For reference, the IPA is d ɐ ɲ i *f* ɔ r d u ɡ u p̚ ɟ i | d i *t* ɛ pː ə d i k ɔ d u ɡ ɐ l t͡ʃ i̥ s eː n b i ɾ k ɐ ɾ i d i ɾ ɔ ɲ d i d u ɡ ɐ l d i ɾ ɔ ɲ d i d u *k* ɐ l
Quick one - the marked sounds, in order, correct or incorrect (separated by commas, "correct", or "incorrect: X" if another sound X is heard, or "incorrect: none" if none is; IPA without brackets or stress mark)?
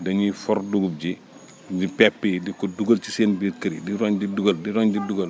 correct, incorrect: p, incorrect: ɡ